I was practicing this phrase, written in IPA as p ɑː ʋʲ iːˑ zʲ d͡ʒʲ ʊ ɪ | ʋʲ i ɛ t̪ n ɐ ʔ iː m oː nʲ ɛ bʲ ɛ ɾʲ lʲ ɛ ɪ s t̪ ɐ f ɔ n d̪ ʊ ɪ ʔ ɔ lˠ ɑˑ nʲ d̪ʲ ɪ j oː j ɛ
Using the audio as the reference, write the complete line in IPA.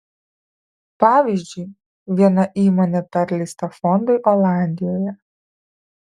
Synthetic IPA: p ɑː ʋʲ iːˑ zʲ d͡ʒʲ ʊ ɪ | ʋʲ i ɛ n ɐ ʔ iː m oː nʲ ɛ pʲ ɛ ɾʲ lʲ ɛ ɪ s t̪ ɐ f ɔ n d̪ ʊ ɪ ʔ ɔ lˠ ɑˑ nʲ d̪ʲ ɪ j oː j ɛ

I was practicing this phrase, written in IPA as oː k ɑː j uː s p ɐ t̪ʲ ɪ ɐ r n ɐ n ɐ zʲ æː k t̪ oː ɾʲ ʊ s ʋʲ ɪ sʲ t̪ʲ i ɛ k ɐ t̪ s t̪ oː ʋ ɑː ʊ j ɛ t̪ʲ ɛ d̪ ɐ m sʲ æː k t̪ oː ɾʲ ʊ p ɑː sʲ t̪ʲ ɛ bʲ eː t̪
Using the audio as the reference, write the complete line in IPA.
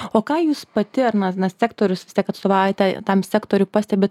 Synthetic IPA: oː k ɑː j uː s p ɐ t̪ʲ ɪ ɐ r n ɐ n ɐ sʲ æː k t̪ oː ɾʲ ʊ s ʋʲ ɪ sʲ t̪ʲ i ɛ k ɐ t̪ s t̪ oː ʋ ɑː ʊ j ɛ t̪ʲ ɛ t̪ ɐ m sʲ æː k t̪ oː ɾʲ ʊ p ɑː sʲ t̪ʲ ɛ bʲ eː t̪

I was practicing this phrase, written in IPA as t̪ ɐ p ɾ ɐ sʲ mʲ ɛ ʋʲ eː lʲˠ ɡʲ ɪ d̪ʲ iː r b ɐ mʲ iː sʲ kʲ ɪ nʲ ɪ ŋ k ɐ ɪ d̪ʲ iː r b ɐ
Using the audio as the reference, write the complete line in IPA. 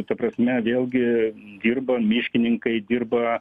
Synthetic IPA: t̪ ɐ p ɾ ɐ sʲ mʲ ɛ ʋʲ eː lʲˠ ɡʲ ɪ d̪ʲ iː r b ɐ mʲ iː ʃʲ kʲ ɪ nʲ ɪ ŋ k ɐ ɪ d̪ʲ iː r b ɐ

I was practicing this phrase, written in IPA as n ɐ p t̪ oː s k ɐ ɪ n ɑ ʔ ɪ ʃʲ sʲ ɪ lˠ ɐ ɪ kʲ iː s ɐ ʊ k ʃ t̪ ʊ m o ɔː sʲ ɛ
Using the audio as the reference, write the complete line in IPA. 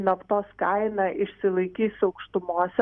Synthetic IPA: n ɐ p t̪ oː s k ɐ ɪ n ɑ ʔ ɪ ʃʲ sʲ ɪ lˠ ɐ ɪ kʲ iː s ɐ ʊ k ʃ t̪ ʊ m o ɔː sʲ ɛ

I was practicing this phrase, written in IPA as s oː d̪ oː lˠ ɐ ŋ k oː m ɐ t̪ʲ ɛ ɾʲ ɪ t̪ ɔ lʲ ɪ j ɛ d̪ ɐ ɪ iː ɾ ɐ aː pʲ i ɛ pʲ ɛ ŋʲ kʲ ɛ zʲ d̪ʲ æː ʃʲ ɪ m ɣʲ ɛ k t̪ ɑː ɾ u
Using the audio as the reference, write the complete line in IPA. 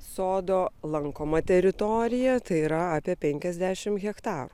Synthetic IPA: s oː d̪ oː lˠ ɐ ŋ k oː m ɐ t̪ʲ ɛ ɾʲ ɪ t̪ ɔ ɾʲ ɪ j ɛ t̪ ɐ ɪ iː ɾ ɐ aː pʲ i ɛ pʲ ɛ ŋʲ kʲ ɛ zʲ d̪ʲ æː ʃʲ ɪ m ɣʲ ɛ k t̪ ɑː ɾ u

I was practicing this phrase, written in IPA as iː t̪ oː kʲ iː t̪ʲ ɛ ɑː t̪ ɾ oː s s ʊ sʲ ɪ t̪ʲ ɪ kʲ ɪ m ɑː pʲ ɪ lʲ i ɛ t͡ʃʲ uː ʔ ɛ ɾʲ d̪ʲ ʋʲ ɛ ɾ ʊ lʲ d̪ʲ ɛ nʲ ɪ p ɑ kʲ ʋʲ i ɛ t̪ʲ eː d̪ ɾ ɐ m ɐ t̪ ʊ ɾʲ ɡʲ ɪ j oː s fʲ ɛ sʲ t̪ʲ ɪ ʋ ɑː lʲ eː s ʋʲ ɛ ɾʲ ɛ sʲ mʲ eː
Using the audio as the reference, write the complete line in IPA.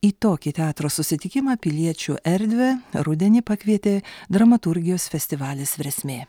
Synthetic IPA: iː t̪ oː kʲ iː t̪ʲ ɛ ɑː t̪ ɾ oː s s ʊ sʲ ɪ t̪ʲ ɪ kʲ ɪ m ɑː pʲ ɪ lʲ i ɛ t͡ʃʲ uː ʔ ɛ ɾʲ d̪ʲ ʋʲ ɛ ɾ ʊ d̪ʲ ɛ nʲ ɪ p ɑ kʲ ʋʲ i ɛ t̪ʲ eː d̪ ɾ ɐ m ɐ t̪ ʊ ɾʲ ɡʲ ɪ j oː s fʲ ɛ sʲ t̪ʲ ɪ ʋ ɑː lʲ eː s ʋʲ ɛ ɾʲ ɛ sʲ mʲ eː

